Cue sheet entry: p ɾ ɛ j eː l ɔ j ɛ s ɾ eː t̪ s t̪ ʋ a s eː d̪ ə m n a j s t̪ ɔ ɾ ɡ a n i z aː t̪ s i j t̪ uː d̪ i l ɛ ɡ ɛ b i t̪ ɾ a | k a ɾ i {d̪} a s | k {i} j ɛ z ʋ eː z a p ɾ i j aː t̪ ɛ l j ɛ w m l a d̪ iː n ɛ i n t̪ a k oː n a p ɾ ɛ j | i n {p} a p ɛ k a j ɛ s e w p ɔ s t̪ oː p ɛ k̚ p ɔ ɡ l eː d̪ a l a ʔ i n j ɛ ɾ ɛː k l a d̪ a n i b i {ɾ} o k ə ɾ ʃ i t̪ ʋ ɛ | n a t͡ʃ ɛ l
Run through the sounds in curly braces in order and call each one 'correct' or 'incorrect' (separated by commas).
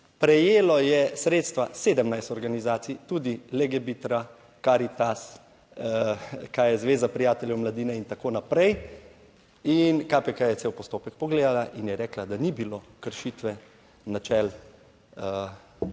incorrect, incorrect, incorrect, incorrect